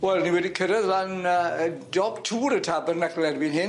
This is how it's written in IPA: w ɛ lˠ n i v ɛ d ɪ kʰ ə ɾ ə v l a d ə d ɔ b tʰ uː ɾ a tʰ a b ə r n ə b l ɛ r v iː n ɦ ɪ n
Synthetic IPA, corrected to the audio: w ɛ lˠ n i w ɛ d i kʰ ə ɾ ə ð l a n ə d ɔ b tʰ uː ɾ ə tʰ a b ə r n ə ɡ l ɛ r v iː n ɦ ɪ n